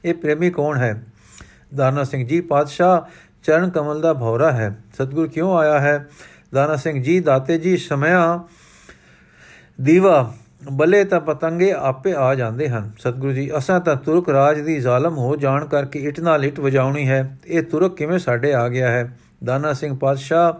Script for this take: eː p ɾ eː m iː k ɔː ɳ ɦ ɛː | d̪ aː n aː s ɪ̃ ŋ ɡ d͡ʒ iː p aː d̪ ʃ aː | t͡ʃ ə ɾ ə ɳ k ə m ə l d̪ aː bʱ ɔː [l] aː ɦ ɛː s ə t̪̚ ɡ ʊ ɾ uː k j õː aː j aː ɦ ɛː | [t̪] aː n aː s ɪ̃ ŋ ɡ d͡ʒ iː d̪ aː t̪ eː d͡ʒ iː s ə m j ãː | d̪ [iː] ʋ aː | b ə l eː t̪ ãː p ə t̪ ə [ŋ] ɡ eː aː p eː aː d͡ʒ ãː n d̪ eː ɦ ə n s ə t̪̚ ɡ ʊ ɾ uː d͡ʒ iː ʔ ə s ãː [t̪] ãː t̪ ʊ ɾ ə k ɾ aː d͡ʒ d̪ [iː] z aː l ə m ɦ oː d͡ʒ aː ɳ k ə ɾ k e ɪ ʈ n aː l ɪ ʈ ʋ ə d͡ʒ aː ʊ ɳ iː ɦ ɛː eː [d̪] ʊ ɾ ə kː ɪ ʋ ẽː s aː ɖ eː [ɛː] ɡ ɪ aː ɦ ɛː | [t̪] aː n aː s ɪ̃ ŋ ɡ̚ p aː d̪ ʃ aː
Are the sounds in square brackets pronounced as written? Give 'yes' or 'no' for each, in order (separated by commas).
no, no, yes, yes, yes, yes, no, no, no